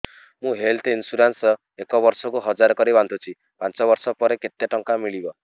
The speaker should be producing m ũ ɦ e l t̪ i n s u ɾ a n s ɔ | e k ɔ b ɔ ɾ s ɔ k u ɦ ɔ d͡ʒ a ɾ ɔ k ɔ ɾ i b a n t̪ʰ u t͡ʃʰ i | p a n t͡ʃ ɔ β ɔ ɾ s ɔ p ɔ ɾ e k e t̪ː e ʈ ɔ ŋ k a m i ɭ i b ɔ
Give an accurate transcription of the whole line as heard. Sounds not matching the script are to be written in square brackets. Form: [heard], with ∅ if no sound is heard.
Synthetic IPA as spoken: m ũ ɦ e l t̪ i n s u ɾ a n s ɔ | e k ɔ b ɔ ɾ s ɔ k u ɦ ɔ d͡ʒ a ɾ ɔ k ɔ ɾ i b a n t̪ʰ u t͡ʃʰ i | p a n t͡ʃ ɔ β ɔ ɾ s ɔ p ɔ ɾ e k e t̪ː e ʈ ɔ ŋ k a m i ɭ i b ɔ